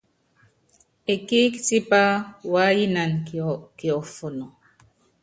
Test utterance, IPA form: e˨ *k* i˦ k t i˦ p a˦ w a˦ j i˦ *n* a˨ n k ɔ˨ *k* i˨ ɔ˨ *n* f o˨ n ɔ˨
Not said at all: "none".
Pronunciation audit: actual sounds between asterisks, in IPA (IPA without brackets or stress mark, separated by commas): k, n, k, none